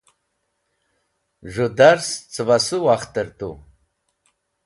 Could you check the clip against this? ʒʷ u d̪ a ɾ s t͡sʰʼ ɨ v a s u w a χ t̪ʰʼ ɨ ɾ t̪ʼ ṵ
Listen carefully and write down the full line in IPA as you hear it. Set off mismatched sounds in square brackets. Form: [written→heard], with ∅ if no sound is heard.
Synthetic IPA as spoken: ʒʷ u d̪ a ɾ s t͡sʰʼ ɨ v a s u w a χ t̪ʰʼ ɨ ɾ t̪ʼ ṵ